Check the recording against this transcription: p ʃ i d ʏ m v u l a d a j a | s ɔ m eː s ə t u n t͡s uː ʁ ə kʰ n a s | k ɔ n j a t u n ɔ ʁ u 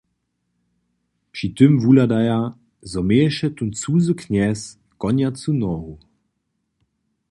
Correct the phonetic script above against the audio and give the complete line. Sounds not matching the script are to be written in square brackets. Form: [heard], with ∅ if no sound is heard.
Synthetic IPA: p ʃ i [t] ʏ m v u l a d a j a | [z] ɔ m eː [ʃ] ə t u n t͡s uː [z] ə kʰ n [ɛ] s | k ɔ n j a [t͡s] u n ɔ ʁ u